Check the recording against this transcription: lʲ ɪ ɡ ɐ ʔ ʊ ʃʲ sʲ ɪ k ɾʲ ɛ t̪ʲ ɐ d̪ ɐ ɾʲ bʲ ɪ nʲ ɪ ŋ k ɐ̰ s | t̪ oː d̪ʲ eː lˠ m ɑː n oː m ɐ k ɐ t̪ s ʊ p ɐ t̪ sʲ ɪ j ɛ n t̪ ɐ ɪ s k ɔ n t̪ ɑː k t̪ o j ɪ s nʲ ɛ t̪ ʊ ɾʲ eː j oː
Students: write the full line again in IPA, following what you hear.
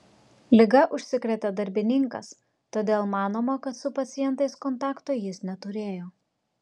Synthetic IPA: lʲ ɪ ɡ ɐ ʔ ʊ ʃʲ sʲ ɪ k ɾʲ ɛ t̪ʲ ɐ d̪ ɐ ɾʲ bʲ ɪ nʲ ɪ ŋ k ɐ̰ s | t̪ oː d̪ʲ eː lˠ m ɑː n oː m ɐ k ɐ t̪ s ʊ p ɐ t̪ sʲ ɪ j ɛ n t̪ ɐ ɪ s k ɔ n t̪ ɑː k t̪ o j ɪ s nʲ ɛ t̪ ʊ ɾʲ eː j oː

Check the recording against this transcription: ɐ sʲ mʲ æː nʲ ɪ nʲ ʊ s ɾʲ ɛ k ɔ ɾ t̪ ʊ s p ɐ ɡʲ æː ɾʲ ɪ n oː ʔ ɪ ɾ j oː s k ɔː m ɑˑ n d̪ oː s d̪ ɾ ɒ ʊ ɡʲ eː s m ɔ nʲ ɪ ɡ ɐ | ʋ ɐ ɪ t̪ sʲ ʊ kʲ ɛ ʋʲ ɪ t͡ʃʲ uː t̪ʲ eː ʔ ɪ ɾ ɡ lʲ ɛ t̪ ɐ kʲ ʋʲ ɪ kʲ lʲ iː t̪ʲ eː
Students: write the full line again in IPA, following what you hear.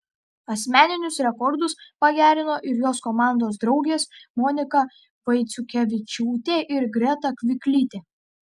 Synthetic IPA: ɐ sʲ mʲ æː nʲ ɪ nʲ ʊ s ɾʲ ɛ k ɔ ɾ d̪ ʊ s p ɐ ɡʲ æː ɾʲ ɪ n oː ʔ ɪ ɾ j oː s k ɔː m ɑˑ n d̪ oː s d̪ ɾ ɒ ʊ ɡʲ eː s m ɔ nʲ ɪ k ɐ | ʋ ɐ ɪ t̪ sʲ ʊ kʲ ɛ ʋʲ ɪ t͡ʃʲ uː t̪ʲ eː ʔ ɪ ɾ ɡ ɾʲ ɛ t̪ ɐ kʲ ʋʲ ɪ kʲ lʲ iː t̪ʲ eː

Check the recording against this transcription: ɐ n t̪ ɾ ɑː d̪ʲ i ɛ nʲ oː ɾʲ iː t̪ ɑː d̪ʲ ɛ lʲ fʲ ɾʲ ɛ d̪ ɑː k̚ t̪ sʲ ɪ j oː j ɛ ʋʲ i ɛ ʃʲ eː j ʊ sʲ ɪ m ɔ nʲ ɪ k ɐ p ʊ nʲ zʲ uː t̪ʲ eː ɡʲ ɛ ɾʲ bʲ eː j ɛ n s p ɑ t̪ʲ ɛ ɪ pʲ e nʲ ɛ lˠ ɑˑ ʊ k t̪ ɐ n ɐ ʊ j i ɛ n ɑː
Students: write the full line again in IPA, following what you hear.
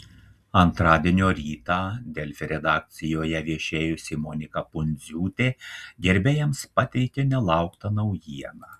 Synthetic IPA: ɐ n t̪ ɾ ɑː d̪ʲ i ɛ nʲ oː ɾʲ iː t̪ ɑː d̪ʲ ɛ lʲ fʲ ɾʲ ɛ d̪ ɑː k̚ t̪ sʲ ɪ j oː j ɛ ʋʲ i ɛ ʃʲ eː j ʊ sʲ ɪ m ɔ nʲ ɪ k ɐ p ʊ nʲ zʲ uː t̪ʲ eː ɡʲ ɛ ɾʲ bʲ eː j ɛ m s p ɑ t̪ʲ ɛ ɪ kʲ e nʲ ɛ lˠ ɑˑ ʊ k t̪ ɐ n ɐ ʊ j i ɛ n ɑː

